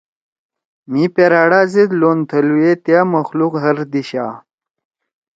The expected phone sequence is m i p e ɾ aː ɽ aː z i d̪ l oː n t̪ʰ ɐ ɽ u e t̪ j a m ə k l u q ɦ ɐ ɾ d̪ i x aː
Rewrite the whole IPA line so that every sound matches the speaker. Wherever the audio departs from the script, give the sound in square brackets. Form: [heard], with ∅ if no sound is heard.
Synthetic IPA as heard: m i p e ɾ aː ɽ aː z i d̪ l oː n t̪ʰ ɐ [l] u e t̪ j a m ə [x] l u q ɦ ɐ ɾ d̪ i [ɕ] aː